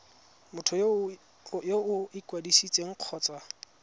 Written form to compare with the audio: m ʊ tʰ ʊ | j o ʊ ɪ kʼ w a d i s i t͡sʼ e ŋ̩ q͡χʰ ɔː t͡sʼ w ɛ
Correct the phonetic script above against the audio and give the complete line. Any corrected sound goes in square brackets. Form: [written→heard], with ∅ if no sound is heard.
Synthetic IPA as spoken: m ʊ tʰ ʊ | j o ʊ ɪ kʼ w a d i s i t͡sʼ e ŋ̩ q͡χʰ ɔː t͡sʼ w [ɛ→a]